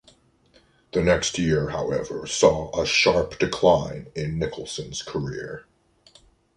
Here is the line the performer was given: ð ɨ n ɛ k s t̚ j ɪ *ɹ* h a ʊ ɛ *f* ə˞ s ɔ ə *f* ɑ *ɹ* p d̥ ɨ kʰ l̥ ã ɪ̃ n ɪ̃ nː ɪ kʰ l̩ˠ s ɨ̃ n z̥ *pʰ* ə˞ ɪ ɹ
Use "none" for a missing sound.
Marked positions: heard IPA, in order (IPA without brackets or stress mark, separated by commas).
ɹ, v, ʃ, ɹ, kʰ